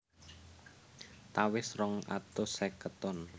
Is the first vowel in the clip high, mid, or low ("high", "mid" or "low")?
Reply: low